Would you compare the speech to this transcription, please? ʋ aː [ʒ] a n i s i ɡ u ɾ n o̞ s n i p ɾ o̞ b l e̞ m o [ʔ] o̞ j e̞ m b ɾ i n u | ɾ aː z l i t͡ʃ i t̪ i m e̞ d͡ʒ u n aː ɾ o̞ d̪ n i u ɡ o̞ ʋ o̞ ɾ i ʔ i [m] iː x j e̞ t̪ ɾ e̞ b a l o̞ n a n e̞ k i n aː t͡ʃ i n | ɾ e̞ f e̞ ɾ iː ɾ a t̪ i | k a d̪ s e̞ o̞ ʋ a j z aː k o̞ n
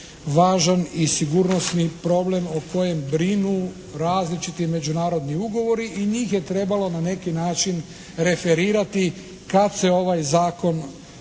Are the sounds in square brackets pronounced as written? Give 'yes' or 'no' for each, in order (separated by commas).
yes, no, no